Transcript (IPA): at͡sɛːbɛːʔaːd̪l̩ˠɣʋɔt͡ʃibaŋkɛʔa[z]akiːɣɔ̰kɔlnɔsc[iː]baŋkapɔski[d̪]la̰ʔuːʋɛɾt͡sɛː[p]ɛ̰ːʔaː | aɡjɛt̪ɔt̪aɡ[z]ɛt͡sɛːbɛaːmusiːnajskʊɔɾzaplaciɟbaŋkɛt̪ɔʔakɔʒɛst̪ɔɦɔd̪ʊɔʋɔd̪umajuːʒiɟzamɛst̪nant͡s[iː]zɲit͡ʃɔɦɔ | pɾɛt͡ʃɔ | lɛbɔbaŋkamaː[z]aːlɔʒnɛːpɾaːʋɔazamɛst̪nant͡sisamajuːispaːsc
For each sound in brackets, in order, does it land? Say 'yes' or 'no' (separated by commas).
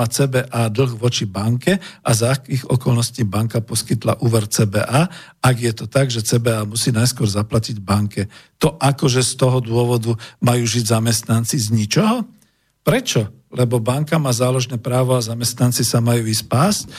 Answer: yes, yes, no, no, no, no, yes